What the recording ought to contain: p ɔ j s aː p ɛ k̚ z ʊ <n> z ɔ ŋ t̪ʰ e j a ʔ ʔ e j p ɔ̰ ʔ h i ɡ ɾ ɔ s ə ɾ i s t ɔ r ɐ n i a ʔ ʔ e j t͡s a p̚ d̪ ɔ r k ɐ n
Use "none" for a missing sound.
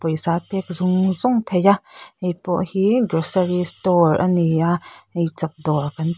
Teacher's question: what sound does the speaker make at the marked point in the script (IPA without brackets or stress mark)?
ŋ